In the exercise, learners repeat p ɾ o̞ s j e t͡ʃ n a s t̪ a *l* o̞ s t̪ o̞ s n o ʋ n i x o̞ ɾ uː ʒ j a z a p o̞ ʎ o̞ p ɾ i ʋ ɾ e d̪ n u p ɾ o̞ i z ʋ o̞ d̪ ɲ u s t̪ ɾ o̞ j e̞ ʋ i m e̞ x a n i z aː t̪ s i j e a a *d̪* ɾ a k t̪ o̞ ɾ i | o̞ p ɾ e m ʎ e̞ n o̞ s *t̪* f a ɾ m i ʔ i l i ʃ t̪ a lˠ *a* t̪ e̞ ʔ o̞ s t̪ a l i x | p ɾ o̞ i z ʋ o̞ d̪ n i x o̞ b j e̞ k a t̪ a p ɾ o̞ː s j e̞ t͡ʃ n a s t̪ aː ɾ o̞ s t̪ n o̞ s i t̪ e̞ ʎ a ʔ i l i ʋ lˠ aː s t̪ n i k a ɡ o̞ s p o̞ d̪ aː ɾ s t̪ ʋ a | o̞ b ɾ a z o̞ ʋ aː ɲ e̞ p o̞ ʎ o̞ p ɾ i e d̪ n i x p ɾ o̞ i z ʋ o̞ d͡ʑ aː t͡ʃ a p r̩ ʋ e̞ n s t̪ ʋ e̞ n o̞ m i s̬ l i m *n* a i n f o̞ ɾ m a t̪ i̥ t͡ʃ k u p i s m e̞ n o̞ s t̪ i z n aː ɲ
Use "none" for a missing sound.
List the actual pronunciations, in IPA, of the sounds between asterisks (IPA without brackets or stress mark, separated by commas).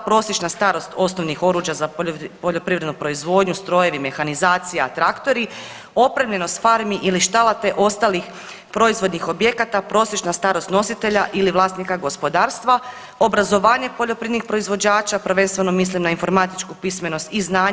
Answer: ɾ, t̪, t̪, a, n